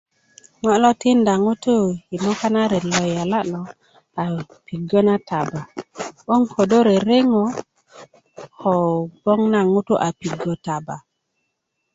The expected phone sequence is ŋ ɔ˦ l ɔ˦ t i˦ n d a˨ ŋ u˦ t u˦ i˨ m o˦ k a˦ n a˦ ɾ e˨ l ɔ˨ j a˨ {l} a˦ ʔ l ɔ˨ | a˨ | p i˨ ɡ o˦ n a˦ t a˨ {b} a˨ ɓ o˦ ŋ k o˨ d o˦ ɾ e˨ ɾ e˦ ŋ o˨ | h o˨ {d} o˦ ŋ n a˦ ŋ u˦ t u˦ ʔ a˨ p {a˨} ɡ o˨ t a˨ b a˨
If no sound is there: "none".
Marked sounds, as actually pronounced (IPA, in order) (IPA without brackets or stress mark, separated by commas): l, b, b, i˨